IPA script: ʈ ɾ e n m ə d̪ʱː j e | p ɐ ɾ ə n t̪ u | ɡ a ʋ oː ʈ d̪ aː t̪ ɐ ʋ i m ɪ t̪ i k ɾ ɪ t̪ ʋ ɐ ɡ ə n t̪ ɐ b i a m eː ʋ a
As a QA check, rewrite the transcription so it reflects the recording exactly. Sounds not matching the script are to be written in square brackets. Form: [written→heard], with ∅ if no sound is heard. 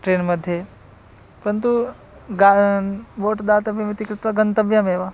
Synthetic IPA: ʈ ɾ e n m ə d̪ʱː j e | p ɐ ɾ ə n t̪ u | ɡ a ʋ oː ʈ d̪ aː t̪ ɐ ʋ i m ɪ t̪ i k ɾ ɪ t̪ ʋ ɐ ɡ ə n t̪ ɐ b [i→j] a m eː ʋ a